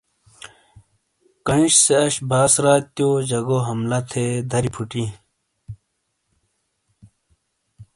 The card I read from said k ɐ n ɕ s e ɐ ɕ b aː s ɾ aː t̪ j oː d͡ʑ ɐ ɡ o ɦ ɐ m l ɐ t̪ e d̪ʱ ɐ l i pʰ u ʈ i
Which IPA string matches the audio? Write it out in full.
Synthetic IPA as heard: k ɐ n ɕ s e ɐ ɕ b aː s ɾ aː t̪ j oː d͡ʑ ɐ ɡ o ɦ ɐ m l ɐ t̪ʰ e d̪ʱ ɐ ɾ i pʰ u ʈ i